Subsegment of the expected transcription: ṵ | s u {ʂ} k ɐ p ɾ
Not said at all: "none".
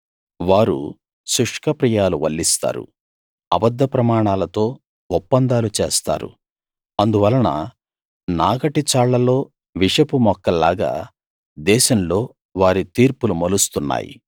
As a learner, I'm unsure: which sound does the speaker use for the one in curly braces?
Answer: ʂ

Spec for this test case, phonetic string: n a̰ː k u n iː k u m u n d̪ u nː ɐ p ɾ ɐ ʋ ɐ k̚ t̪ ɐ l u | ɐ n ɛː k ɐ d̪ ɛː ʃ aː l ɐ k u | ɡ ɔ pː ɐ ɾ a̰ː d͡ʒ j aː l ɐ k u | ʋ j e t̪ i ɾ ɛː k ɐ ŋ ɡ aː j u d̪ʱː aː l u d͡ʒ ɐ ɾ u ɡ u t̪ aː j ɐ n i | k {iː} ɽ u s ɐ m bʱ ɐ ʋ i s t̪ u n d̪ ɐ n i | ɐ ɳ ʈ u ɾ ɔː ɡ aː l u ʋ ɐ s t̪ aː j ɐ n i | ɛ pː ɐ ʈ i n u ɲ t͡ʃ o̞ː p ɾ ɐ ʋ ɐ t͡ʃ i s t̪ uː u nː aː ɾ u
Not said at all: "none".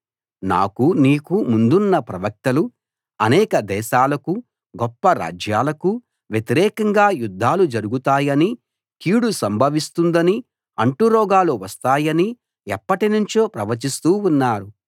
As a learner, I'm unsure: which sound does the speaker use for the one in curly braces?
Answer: iː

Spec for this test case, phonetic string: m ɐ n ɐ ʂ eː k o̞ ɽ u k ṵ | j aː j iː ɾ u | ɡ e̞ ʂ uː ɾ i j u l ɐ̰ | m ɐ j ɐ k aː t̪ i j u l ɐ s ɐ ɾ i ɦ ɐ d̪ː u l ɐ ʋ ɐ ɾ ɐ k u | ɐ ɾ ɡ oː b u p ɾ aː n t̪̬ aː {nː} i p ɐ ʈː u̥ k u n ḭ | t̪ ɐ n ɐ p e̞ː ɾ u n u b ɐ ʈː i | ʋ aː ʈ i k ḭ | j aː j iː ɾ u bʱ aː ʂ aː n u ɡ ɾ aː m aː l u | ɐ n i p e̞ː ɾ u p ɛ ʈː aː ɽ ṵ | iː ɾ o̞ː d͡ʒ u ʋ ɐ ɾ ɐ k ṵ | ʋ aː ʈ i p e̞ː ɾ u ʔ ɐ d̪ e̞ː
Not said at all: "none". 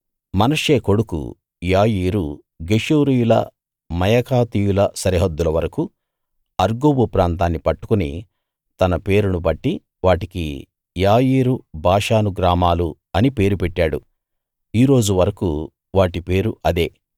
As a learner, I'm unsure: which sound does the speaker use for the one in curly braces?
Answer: nː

